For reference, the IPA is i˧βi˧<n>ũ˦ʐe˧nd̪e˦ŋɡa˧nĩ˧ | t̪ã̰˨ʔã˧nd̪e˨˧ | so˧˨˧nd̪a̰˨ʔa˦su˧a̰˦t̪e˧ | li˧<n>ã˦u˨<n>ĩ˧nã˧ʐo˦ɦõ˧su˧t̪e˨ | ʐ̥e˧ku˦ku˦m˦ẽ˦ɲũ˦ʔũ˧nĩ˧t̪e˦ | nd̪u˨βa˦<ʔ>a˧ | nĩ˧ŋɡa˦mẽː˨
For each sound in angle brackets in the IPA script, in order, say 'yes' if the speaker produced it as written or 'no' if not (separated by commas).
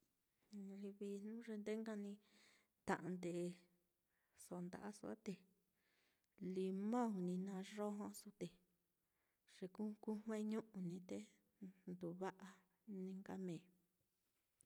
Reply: yes, no, yes, yes